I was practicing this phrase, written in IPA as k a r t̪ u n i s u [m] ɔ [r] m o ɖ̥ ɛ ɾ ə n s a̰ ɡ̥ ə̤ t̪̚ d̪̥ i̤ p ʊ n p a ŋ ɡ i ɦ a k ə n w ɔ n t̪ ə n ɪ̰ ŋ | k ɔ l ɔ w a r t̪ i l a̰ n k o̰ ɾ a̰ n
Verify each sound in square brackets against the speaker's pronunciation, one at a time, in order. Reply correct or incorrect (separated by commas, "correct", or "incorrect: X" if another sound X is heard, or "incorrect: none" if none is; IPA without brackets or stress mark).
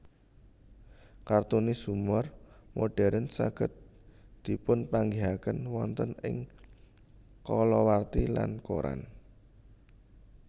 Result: correct, correct